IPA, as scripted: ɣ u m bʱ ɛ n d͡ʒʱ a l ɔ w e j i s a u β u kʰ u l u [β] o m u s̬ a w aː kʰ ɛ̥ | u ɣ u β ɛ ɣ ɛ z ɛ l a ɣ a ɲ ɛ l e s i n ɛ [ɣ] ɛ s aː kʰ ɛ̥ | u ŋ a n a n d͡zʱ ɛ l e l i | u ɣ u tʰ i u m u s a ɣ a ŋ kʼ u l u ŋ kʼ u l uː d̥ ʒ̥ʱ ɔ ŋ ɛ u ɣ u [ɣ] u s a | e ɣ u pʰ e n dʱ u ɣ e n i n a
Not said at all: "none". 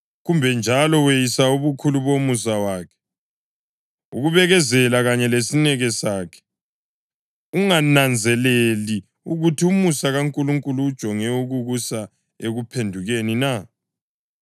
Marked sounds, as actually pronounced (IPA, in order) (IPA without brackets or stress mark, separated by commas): β, ɣ, ɣ